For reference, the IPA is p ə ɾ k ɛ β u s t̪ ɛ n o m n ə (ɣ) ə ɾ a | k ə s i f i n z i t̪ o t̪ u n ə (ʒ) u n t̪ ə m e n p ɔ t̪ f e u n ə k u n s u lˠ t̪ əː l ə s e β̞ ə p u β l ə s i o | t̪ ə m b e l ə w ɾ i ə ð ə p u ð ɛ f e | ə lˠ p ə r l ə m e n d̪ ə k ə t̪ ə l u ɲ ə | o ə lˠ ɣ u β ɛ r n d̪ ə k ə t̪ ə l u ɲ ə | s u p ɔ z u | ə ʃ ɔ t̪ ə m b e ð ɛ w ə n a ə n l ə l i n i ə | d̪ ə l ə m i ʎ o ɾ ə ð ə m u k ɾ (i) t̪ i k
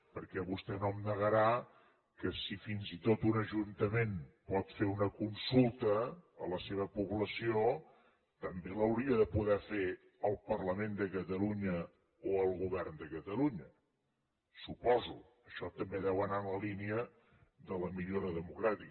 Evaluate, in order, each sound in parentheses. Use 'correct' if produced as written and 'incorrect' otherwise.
correct, correct, incorrect

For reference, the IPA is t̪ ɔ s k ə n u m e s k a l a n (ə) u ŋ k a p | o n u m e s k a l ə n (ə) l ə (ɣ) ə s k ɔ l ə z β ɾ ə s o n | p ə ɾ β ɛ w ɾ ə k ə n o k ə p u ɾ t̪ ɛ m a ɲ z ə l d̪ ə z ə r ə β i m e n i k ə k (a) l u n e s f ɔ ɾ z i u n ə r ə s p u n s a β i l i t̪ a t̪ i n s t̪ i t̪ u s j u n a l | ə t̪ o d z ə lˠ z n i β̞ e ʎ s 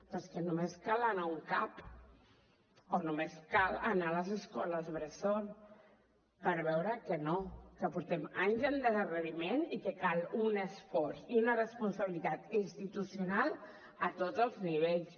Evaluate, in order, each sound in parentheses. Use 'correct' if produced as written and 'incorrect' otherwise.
incorrect, incorrect, incorrect, correct

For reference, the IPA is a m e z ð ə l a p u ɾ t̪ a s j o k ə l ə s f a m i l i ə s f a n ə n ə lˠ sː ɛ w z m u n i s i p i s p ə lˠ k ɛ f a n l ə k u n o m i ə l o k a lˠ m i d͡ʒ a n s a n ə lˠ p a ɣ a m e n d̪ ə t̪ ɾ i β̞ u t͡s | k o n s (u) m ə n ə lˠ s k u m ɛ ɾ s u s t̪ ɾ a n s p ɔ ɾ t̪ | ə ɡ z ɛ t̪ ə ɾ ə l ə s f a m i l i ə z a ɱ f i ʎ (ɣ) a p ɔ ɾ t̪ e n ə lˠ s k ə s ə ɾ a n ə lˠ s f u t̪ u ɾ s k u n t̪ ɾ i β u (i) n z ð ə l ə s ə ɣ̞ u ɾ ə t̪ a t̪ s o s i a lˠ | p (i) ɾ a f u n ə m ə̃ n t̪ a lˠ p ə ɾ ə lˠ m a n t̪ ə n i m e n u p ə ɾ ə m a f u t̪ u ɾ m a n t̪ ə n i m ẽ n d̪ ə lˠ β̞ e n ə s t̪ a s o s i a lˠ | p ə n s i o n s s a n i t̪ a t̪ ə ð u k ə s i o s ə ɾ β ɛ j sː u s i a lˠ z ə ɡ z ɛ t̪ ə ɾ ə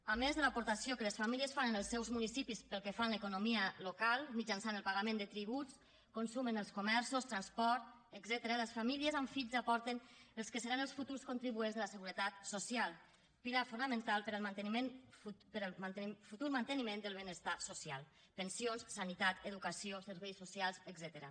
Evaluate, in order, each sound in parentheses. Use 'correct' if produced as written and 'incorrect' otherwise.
correct, incorrect, incorrect, correct

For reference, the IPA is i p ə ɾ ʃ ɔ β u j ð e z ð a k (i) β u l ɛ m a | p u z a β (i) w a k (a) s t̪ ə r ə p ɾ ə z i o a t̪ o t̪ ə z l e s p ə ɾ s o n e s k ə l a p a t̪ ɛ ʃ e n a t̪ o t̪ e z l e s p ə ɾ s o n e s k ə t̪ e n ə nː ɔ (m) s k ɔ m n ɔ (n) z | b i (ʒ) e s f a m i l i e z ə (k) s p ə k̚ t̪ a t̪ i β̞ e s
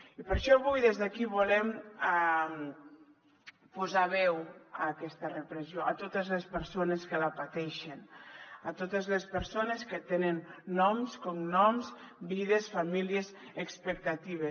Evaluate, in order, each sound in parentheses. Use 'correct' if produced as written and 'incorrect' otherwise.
correct, incorrect, incorrect, correct, incorrect, incorrect, correct

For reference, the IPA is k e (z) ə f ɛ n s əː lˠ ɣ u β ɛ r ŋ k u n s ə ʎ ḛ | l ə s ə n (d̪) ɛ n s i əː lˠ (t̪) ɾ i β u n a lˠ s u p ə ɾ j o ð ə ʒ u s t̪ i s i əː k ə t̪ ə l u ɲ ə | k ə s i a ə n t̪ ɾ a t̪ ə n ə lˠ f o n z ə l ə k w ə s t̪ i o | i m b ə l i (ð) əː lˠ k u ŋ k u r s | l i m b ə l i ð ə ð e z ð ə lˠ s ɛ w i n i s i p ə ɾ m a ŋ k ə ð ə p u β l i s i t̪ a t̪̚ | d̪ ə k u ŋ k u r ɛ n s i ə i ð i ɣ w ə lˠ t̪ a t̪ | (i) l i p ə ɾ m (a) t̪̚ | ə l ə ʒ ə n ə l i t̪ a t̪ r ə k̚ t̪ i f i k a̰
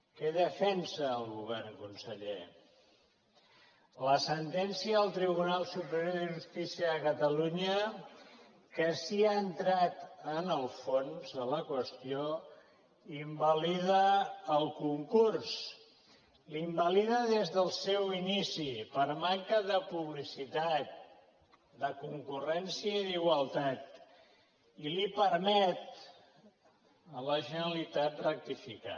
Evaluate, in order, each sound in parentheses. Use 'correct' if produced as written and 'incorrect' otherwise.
incorrect, incorrect, correct, correct, correct, incorrect

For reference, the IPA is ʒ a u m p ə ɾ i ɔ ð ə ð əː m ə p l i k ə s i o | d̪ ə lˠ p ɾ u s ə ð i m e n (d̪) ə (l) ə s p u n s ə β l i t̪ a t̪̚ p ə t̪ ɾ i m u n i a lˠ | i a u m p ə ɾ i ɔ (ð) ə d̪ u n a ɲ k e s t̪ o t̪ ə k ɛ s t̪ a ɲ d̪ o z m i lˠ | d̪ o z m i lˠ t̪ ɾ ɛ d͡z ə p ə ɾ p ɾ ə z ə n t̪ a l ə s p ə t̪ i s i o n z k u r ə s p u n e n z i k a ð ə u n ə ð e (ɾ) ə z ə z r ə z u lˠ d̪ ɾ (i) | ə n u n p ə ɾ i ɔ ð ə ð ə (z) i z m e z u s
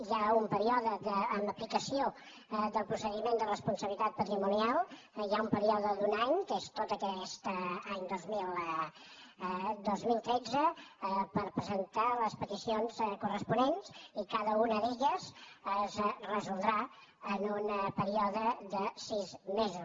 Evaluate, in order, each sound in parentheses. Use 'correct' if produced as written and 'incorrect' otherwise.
correct, incorrect, correct, incorrect, incorrect, incorrect

